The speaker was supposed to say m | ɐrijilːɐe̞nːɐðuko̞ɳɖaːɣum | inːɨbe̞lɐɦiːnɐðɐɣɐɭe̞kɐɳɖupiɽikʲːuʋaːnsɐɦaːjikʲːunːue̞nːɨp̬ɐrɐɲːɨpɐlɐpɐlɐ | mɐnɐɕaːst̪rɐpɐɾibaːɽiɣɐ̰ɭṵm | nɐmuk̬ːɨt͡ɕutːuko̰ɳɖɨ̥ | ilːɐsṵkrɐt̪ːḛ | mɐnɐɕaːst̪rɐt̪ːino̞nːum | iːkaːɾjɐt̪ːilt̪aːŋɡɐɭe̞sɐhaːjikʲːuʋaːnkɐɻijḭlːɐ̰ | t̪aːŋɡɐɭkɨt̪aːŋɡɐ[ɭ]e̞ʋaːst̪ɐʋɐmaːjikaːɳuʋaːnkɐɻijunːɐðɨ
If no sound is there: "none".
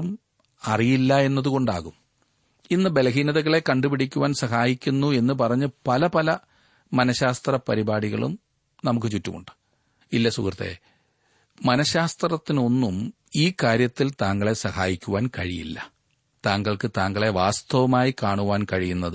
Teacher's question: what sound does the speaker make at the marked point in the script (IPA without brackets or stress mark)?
ɭ